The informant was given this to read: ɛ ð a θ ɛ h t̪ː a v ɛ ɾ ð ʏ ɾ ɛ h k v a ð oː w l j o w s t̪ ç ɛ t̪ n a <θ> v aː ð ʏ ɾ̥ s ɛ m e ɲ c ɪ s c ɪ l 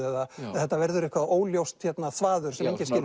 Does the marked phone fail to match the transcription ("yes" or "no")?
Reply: no